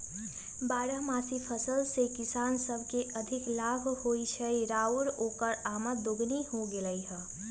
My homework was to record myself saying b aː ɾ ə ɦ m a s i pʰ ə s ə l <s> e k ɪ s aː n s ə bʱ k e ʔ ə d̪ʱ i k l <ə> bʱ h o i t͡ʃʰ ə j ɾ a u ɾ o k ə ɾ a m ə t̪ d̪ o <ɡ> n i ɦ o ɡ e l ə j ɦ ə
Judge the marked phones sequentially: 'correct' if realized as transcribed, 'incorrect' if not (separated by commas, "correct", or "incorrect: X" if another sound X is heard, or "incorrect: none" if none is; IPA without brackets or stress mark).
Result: correct, incorrect: a, correct